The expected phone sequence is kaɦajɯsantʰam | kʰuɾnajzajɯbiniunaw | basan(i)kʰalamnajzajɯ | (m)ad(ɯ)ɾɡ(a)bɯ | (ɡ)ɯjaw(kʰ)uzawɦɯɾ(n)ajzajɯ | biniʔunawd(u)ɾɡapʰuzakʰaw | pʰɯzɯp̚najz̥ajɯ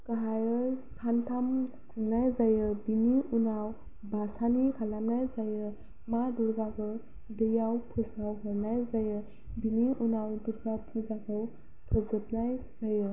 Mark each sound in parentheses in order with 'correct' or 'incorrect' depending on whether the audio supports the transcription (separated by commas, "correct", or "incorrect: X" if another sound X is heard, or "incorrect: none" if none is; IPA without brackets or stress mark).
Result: correct, correct, incorrect: u, correct, incorrect: d, incorrect: pʰ, correct, correct